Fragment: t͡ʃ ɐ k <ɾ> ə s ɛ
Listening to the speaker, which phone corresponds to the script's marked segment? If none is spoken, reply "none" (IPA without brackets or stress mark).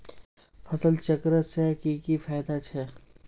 ɾ